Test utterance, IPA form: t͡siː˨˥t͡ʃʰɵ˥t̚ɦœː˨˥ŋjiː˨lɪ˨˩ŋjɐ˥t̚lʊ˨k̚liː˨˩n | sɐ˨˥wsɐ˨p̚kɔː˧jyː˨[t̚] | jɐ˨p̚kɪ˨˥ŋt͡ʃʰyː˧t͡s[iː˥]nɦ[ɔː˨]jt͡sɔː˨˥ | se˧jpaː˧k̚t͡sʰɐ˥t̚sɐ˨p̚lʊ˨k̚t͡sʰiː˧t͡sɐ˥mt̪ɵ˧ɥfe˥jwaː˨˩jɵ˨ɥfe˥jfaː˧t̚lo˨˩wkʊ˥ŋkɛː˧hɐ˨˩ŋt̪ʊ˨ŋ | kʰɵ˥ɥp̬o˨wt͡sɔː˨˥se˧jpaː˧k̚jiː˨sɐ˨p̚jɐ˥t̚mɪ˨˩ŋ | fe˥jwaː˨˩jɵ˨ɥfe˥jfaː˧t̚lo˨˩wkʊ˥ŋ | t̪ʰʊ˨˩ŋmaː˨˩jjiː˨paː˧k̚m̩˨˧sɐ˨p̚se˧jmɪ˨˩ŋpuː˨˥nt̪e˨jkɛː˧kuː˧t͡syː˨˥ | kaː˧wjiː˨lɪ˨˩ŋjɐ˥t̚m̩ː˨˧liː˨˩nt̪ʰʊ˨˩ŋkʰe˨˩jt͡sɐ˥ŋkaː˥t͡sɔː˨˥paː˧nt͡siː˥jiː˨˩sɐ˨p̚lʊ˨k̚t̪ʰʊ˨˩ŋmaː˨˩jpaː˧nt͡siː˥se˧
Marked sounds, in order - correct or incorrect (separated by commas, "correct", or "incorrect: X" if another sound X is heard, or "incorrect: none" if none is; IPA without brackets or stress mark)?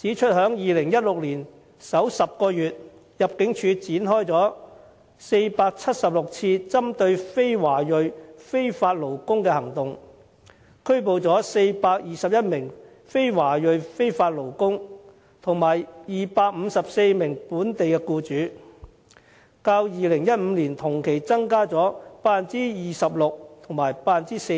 correct, incorrect: iː˨˥, incorrect: ɔː˥